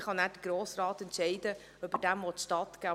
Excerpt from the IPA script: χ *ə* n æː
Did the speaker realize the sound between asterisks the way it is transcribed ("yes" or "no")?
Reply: no